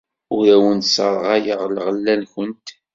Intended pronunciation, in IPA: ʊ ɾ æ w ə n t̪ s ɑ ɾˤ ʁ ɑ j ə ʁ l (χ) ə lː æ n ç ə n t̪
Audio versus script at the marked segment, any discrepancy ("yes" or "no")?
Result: yes